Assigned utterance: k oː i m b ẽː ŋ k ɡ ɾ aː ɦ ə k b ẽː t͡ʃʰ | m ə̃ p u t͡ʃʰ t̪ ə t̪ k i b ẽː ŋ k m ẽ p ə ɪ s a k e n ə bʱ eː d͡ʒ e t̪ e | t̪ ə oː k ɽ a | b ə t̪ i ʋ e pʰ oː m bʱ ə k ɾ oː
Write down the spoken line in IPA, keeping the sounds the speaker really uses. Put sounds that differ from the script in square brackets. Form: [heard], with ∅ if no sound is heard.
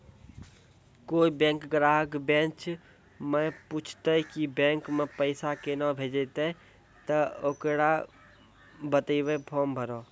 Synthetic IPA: k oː i [∅] b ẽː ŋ k ɡ ɾ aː ɦ ə k b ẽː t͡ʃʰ | m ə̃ p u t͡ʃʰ t̪ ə [∅] k i b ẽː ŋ k m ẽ p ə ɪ s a k e n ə bʱ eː d͡ʒ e t̪ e | t̪ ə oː k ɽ a | b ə t̪ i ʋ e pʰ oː m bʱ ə [∅] ɾ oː